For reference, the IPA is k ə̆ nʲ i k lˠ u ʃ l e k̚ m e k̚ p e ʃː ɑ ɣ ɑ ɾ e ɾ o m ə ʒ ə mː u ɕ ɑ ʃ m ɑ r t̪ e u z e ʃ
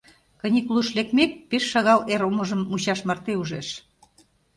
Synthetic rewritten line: k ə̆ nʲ i k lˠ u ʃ l e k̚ m e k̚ p e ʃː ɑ ɣ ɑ l e ɾ o m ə ʒ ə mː u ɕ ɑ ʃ m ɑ r t̪ e u ʒ e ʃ